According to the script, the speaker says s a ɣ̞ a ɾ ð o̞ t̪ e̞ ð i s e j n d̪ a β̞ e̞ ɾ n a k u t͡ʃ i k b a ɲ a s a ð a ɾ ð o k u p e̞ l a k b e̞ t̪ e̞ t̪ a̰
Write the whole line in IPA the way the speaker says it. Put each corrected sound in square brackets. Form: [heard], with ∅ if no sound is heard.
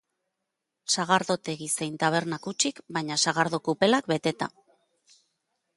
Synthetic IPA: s a ɣ̞ a ɾ ð o̞ t̪ e̞ [ɣ] i s e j n [t̪] a β̞ e̞ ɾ n a k u t͡ʃ i k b a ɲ a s a [ɣ] a ɾ ð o k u p e̞ l a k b e̞ t̪ e̞ t̪ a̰